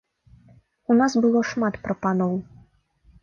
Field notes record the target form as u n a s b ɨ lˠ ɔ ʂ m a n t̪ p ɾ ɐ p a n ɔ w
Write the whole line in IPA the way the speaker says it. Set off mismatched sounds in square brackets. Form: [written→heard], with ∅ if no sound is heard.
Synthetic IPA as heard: u n a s b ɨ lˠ ɔ ʂ m a [n→∅] t̪ p ɾ ɐ p a n ɔ w